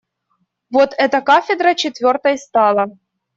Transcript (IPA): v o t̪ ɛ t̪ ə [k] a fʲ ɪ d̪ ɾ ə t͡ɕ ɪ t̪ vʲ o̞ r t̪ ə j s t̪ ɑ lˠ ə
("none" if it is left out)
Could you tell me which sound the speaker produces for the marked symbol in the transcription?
k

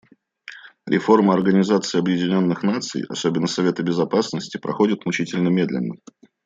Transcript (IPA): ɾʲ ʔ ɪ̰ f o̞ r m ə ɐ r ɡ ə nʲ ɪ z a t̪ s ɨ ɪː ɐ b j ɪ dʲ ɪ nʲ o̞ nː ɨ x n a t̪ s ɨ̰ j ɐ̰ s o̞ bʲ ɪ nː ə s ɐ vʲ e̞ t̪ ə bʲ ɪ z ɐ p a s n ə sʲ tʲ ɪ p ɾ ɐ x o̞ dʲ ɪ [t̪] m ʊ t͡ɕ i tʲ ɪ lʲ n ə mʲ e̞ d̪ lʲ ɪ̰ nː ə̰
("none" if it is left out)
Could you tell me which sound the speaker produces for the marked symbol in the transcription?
t̪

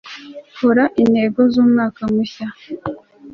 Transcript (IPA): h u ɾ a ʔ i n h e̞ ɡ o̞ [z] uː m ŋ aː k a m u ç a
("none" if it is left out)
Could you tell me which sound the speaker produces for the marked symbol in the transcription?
z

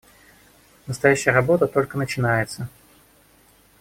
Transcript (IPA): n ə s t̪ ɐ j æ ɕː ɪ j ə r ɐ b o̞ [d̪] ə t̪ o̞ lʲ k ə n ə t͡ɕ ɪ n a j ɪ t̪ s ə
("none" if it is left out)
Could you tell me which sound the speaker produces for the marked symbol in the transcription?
t̪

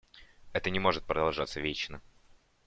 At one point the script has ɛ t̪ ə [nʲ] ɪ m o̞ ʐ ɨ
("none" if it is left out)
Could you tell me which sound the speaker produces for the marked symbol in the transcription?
nʲ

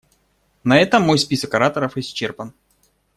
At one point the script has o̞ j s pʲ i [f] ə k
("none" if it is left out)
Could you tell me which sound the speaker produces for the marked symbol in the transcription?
s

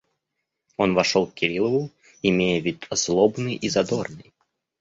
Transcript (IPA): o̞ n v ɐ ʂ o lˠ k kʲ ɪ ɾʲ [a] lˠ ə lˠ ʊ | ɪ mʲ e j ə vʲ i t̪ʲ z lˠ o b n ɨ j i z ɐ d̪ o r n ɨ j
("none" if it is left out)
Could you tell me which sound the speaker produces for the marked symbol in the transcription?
i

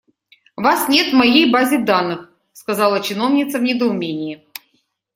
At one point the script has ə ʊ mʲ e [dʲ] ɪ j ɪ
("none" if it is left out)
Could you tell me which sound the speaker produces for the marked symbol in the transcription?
nʲ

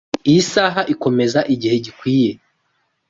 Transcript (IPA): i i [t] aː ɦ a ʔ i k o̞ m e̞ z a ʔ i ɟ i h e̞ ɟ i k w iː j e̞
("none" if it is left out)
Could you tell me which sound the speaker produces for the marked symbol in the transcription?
s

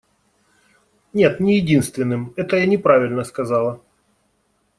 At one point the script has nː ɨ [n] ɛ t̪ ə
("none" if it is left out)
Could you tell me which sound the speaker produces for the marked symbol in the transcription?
m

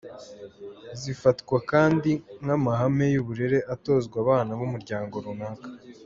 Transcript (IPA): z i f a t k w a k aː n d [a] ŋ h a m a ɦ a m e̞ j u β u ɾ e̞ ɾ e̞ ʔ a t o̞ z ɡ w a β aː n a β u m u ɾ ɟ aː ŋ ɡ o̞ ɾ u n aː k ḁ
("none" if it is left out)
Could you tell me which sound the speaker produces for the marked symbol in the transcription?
i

